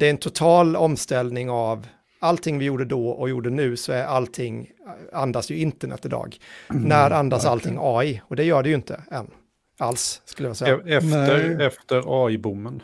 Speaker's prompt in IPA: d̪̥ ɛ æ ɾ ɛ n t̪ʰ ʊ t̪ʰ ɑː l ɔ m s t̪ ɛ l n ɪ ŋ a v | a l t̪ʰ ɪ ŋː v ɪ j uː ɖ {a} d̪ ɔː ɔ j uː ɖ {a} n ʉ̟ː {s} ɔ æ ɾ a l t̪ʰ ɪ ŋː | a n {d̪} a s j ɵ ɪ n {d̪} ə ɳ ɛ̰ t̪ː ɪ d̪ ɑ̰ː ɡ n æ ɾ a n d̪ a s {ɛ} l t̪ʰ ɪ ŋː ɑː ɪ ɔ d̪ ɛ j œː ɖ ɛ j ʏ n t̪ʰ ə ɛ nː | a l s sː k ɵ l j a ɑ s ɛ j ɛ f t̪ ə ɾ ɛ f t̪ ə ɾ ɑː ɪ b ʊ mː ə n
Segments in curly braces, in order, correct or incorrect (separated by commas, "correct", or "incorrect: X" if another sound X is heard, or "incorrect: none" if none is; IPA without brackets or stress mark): incorrect: ə, incorrect: ə, correct, correct, incorrect: t̪, incorrect: a